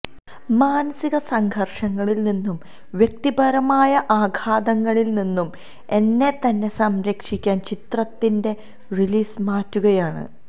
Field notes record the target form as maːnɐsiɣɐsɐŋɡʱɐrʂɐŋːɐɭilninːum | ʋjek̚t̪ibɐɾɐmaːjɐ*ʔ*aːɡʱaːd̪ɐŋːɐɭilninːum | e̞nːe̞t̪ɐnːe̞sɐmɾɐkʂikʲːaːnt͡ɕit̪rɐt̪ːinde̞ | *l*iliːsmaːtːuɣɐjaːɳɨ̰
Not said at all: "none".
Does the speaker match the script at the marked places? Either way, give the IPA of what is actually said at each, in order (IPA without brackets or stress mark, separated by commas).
ʔ, r